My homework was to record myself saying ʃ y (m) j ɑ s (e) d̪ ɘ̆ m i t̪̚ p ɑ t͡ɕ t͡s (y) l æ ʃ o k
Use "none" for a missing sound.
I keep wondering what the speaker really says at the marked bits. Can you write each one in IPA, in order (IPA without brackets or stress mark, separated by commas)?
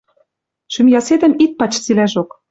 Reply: m, e, i